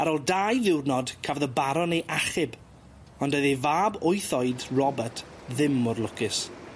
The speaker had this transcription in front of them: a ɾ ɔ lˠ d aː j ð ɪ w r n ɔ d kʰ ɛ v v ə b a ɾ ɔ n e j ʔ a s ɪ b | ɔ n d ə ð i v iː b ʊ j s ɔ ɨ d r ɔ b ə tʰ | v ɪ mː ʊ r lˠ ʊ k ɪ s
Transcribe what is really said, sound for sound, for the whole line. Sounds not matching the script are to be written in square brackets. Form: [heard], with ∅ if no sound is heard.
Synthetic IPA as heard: a ɾ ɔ lˠ d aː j ð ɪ w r n ɔ d kʰ [a] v [ð] ə b a ɾ ɔ n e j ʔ a [χ] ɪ b | ɔ n d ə ð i v [aː] b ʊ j [θ] ɔ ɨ d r ɔ b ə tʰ | [ð] ɪ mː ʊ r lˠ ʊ k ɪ s